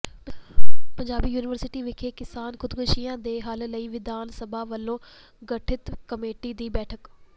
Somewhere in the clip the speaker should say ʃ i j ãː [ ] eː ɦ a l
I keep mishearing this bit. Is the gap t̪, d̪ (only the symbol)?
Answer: d̪